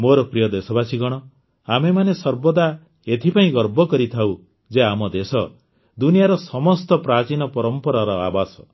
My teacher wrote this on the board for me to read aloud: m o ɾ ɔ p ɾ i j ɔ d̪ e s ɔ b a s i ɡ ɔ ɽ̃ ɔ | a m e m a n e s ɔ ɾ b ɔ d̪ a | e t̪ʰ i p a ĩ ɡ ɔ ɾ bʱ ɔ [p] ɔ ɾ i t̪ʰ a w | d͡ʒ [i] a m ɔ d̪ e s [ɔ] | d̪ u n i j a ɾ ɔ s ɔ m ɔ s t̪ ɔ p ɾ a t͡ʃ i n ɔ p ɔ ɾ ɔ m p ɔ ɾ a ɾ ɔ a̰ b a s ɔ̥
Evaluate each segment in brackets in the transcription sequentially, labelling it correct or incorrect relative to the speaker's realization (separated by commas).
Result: incorrect, incorrect, correct